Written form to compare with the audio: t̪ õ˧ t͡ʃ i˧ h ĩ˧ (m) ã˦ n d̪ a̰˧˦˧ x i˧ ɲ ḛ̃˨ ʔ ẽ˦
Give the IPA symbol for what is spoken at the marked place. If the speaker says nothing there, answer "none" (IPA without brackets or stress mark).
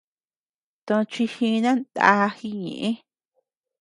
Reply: n